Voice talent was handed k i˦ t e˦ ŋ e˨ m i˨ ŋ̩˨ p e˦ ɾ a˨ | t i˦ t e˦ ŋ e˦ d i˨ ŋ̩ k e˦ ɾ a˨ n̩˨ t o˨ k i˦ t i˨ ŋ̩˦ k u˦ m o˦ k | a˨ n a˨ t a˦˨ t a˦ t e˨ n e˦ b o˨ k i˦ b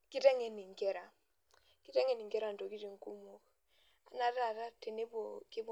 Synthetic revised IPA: k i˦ t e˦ ŋ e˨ n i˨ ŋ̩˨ k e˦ ɾ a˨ | k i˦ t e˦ ŋ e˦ n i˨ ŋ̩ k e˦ ɾ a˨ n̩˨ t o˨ k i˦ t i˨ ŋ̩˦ k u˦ m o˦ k | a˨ n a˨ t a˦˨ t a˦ t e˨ n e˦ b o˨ k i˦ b